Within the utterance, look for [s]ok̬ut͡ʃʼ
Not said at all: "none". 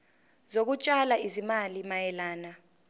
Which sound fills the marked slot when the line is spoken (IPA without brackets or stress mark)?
z